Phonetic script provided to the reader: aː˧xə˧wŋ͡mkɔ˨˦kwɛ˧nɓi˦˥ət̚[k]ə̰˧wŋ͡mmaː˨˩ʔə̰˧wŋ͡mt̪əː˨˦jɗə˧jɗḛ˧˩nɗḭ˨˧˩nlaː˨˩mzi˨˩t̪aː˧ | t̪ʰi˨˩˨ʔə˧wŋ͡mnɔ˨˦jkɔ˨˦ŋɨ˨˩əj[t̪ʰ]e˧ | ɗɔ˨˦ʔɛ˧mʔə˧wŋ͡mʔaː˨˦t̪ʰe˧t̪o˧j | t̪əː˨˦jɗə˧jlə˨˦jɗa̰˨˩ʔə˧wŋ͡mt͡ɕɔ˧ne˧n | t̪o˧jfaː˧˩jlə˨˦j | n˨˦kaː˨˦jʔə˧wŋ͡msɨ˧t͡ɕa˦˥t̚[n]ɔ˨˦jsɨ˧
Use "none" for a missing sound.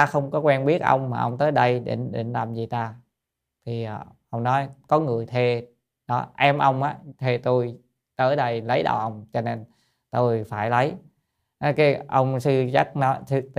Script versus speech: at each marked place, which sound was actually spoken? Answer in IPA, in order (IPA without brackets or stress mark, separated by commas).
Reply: ʔ, t̪ʰ, n